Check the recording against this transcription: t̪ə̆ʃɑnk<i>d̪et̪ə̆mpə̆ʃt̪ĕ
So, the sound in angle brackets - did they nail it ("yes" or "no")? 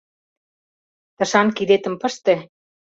yes